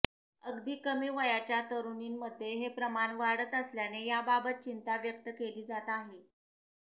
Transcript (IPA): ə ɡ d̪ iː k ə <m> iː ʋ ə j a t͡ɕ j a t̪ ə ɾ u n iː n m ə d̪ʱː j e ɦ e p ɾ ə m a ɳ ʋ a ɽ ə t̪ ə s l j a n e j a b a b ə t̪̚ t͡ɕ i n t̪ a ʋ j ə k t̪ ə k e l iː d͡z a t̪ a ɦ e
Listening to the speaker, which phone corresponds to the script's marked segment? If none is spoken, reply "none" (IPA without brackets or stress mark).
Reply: m